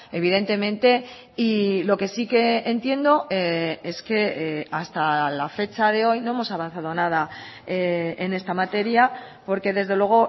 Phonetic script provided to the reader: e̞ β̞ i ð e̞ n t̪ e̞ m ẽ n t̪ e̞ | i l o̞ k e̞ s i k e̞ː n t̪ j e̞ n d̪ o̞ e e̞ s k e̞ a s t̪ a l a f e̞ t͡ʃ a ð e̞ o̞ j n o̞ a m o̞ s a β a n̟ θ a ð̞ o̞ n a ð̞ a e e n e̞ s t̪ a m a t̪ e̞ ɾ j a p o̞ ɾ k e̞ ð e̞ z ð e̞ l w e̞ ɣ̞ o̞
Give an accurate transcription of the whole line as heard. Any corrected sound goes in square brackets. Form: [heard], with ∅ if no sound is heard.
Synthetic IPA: e̞ β̞ i ð e̞ n t̪ e̞ m ẽ n t̪ e̞ | i l o̞ k e̞ s i k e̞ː n t̪ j e̞ n d̪ o̞ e e̞ s k e̞ a s t̪ a l a f e̞ t͡ʃ a ð e̞ o̞ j n o̞ [e] m o̞ s a β a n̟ θ a ð̞ o̞ n a ð̞ a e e n e̞ s t̪ a m a t̪ e̞ ɾ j a p o̞ ɾ k e̞ ð e̞ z ð e̞ l w e̞ ɣ̞ o̞